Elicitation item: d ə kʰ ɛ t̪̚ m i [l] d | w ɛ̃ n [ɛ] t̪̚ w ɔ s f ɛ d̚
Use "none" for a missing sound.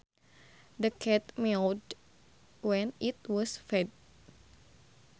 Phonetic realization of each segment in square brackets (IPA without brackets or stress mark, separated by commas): l, i